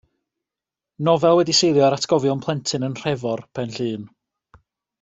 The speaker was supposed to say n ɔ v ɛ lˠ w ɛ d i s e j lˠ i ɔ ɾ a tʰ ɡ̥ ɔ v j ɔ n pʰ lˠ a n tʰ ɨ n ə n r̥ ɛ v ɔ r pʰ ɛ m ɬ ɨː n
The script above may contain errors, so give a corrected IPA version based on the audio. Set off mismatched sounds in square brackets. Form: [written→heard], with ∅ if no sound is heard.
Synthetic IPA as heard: n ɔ v ɛ lˠ w ɛ d i s e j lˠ [i→j] ɔ ɾ a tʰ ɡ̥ ɔ v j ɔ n pʰ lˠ [a→ɛ] n tʰ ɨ n ə n r̥ ɛ v ɔ r pʰ ɛ [m→n] ɬ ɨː n